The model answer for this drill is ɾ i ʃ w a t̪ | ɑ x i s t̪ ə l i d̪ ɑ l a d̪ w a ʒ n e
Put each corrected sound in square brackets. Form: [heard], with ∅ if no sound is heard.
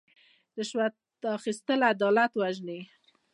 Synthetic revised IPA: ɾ [ɪ] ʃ w a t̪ | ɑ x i s t̪ ə l [a] d̪ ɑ l a [t̪] w a ʒ n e